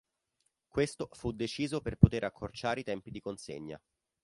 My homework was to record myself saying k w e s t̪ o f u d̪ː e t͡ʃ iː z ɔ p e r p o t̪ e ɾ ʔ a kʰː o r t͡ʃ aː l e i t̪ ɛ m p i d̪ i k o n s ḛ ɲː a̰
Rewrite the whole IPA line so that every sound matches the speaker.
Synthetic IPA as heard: k w e s t̪ o f u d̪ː e t͡ʃ iː z o p e r p o t̪ e ɾ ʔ a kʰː o r t͡ʃ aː ɾ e i t̪ ɛ m p i d̪ i k o n s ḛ ɲː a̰

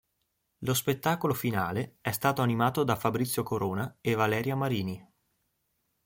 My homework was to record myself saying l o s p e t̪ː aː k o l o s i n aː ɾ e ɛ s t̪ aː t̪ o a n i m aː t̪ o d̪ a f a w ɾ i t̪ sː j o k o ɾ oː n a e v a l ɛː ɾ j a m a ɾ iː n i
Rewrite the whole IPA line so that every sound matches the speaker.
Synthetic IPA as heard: l o s p e t̪ː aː k o l o f i n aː l e ɛ s t̪ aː t̪ o a n i m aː t̪ o d̪ a f a b ɾ i t̪ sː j o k o ɾ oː n a e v a l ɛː ɾ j a m a ɾ iː n i

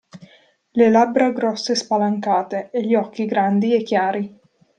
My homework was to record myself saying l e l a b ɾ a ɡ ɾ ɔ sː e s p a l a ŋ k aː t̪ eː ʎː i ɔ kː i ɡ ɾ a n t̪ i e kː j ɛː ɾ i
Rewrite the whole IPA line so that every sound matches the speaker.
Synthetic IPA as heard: l e l a b ɾ a ɡ ɾ ɔ sː e s p a l a ŋ k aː t̪ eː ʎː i ɔ kː i ɡ ɾ a n d̪ i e kː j aː ɾ i

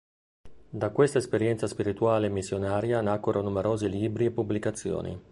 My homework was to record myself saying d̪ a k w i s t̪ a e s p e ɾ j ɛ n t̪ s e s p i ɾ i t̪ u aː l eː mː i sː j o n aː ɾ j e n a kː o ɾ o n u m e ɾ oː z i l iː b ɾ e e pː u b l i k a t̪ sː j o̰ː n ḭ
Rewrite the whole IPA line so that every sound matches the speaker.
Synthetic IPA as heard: d̪ a k w e s t̪ a e s p e ɾ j ɛ n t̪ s a s p i ɾ i t̪ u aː l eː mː i sː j o n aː ɾ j a n a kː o ɾ o n u m e ɾ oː z i l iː b ɾ i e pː u b l i k a t̪ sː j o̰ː n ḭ

